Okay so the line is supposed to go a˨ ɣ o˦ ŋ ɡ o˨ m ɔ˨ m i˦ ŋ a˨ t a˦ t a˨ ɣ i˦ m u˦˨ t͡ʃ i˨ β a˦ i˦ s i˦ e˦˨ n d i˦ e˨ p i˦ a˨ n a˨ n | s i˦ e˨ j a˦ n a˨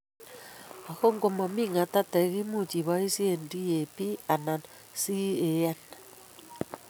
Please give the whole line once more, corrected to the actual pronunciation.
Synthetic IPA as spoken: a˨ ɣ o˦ ŋ ɡ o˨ m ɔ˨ m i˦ ŋ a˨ t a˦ t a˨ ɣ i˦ m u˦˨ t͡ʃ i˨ β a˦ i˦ s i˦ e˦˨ n d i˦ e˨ p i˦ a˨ n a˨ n | s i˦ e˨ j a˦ n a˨